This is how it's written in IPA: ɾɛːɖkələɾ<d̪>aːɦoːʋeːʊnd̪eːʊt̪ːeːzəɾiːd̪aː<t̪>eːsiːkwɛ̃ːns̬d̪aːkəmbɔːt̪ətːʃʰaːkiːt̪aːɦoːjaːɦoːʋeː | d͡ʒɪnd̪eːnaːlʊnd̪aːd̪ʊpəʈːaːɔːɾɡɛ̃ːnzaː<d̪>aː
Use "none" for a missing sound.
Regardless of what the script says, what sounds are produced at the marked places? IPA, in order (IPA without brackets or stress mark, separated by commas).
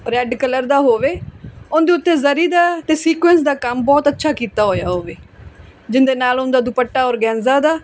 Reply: d̪, t̪, d̪